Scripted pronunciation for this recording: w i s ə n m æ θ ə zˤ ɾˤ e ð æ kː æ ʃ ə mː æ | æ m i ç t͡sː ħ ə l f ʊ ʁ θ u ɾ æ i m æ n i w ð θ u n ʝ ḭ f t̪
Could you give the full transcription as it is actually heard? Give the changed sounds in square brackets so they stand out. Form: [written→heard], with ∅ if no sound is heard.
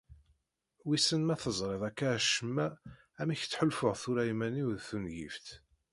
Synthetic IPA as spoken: w i s ə n m æ θ ə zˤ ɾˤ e ð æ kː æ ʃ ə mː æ | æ m i ç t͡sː ħ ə l f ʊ ʁ θ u ɾ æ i m æ n i w ð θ u n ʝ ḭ f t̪